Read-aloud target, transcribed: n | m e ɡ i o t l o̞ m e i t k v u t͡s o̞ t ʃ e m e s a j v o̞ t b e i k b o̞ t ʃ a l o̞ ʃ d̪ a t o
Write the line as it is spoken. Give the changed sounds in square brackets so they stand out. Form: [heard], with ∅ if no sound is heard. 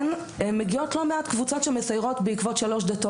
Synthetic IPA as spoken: n | m e ɡ i o t l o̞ m e [a] t k v u t͡s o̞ t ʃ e m e s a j [ʁ] o̞ t b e i k [v] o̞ t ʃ a l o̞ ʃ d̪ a t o